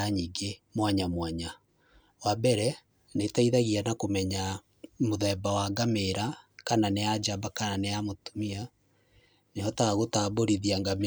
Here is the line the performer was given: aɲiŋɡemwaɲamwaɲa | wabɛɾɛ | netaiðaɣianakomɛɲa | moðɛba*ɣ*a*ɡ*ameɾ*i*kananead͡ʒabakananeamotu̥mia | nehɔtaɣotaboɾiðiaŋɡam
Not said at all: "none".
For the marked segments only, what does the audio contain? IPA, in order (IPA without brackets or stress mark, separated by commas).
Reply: w, ɡ, a